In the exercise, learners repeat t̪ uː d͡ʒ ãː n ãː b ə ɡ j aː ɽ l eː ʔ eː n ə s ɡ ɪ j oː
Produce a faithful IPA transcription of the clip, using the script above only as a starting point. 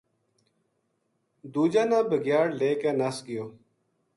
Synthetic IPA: d̪ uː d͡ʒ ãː n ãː b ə ɡ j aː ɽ l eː k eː n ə s ɡ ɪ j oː